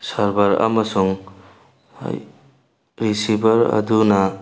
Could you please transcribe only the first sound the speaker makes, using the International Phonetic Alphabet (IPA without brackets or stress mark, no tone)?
s